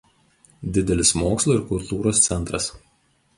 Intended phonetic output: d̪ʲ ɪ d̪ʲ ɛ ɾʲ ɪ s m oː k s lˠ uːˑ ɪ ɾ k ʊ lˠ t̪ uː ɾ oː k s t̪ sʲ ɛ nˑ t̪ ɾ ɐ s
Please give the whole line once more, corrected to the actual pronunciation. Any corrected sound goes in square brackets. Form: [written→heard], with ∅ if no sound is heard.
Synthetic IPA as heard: d̪ʲ ɪ d̪ʲ ɛ [ɾʲ→lʲ] ɪ s m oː k s lˠ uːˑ ɪ ɾ k ʊ lˠ t̪ uː ɾ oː [k→∅] s t̪ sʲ ɛ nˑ t̪ ɾ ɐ s

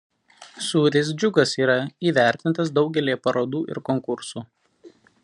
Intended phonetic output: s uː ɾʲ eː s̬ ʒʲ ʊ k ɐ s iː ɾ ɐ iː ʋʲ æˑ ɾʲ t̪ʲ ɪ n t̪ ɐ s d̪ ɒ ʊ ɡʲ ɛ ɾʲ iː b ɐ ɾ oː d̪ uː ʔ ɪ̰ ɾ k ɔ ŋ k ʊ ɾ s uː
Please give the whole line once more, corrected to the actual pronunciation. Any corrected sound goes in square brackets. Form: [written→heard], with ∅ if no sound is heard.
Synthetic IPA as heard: s uː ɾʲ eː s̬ [ʒʲ→d͡ʒʲ] ʊ [k→ɡ] ɐ s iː ɾ ɐ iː ʋʲ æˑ ɾʲ t̪ʲ ɪ n t̪ ɐ s d̪ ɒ ʊ ɡʲ ɛ [ɾʲ→lʲ] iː [b→p] ɐ ɾ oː d̪ uː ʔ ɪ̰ ɾ k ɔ ŋ k ʊ ɾ s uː

